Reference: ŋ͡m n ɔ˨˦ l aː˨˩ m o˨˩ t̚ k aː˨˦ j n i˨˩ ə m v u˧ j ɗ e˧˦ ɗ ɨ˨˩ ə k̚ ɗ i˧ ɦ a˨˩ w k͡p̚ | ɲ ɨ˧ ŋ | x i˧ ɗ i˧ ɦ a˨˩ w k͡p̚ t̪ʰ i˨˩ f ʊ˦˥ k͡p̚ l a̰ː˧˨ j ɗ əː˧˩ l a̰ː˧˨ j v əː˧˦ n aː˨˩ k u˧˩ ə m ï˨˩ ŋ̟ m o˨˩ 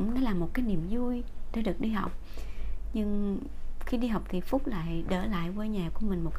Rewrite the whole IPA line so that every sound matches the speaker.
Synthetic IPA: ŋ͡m n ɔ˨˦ l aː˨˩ m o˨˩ t̚ k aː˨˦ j n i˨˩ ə m z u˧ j ɗ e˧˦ ɗ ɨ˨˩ ə k̚ ɗ i˧ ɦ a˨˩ w k͡p̚ | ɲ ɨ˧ ŋ | x i˧ ɗ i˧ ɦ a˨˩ w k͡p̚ t̪ʰ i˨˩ f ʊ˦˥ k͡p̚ l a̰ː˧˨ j ɗ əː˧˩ l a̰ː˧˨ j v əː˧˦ ɲ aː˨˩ k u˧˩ ə m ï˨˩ ŋ̟ m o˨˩